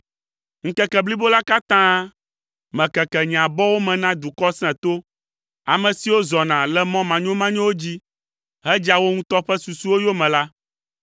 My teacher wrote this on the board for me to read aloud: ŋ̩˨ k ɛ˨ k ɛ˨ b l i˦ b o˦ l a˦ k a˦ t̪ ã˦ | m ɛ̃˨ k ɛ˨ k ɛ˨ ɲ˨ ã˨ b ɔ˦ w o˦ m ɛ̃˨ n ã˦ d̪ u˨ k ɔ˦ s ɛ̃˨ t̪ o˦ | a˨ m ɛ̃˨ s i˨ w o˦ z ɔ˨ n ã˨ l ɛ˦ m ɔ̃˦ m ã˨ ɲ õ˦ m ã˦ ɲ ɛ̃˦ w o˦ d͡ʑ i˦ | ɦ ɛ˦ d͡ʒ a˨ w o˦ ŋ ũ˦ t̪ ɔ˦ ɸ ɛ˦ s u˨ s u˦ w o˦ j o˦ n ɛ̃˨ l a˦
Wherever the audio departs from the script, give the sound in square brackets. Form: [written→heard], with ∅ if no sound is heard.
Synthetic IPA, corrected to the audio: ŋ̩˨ k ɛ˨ k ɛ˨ b l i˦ b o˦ l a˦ k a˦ t̪ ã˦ | m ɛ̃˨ k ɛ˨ k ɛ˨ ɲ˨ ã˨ b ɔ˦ w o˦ m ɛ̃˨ n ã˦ d̪ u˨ k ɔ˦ s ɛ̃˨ t̪ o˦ | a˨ m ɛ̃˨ s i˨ w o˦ z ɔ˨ n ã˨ l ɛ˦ m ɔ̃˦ m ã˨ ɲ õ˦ m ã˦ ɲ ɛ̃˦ w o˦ d͡ʑ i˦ | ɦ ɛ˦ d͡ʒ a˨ w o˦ ŋ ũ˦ t̪ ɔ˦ ɸ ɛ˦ s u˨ s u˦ w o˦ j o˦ [n→m] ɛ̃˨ l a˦